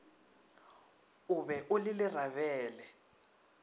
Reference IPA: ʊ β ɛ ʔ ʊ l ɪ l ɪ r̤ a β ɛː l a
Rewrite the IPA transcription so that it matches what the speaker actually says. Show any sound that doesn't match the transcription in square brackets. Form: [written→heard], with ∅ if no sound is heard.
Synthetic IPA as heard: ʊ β ɛ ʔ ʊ l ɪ l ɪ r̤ a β ɛː l [a→ɛ]